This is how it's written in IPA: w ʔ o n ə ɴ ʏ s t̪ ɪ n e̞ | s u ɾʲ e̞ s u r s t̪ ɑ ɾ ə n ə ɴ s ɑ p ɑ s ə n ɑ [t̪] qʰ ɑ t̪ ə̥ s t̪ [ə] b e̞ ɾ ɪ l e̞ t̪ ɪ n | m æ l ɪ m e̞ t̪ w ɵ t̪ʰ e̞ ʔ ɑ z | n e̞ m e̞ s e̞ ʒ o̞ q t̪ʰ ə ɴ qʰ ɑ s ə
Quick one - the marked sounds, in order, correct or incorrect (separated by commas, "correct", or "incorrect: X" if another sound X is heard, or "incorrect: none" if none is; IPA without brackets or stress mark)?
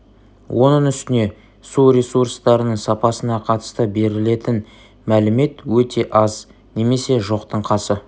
incorrect: none, correct